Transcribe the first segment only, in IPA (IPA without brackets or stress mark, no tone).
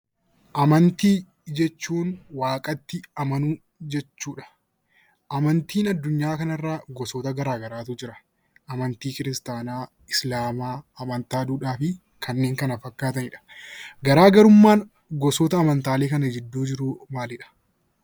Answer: ʔ